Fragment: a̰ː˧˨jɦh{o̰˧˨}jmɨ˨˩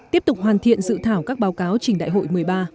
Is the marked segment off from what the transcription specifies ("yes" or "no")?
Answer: no